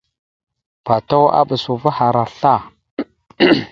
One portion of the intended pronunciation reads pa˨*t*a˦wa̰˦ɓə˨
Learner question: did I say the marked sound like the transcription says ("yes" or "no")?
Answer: yes